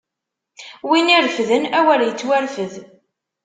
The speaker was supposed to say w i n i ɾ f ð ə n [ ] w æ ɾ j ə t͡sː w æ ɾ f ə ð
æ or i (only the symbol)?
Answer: æ